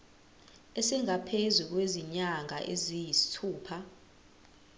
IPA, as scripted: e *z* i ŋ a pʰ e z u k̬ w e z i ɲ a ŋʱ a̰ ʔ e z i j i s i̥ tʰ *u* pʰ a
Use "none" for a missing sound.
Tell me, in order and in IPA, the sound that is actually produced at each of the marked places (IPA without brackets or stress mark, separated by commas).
s, uː